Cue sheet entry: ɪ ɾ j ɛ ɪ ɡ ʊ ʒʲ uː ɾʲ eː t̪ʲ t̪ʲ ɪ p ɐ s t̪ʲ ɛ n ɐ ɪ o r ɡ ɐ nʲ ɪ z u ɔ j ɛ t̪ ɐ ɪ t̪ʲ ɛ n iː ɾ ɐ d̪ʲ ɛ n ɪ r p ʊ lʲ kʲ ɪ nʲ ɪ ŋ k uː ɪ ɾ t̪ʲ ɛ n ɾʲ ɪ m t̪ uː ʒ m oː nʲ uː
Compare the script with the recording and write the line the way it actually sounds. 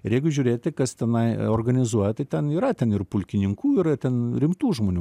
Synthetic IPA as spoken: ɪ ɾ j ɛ ɪ ɡ ʊ ʒʲ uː ɾʲ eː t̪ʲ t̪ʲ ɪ k ɐ s t̪ʲ ɛ n ɐ ɪ o r ɡ ɐ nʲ ɪ z u ɔ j ɛ t̪ ɐ ɪ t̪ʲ ɛ n iː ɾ ɐ t̪ʲ ɛ n ɪ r p ʊ lʲ kʲ ɪ nʲ ɪ ŋ k uː ɪ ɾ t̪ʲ ɛ n ɾʲ ɪ m t̪ uː ʒ m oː nʲ uː